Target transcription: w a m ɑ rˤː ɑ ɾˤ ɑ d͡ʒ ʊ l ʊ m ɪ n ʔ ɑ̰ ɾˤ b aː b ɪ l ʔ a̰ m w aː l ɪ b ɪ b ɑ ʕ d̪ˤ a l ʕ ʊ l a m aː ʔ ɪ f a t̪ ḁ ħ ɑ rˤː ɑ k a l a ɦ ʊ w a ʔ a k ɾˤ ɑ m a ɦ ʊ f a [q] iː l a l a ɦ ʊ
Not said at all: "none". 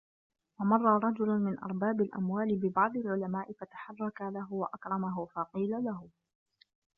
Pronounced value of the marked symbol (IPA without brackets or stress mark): q